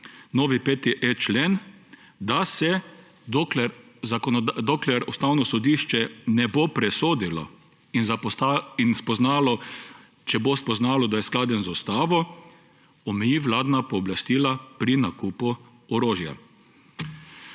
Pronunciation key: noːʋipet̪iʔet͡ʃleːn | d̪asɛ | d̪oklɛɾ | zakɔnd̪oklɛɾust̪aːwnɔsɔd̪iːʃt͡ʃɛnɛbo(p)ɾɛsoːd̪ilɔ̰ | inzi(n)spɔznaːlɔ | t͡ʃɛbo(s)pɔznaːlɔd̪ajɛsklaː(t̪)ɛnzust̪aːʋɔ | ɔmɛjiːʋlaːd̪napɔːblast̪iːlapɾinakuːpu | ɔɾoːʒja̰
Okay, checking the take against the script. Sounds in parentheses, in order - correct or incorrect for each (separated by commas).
correct, correct, correct, incorrect